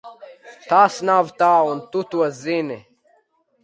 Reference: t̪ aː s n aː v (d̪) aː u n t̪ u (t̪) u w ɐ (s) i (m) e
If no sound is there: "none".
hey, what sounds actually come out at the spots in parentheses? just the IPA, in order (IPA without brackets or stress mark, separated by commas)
t̪, t̪, z, n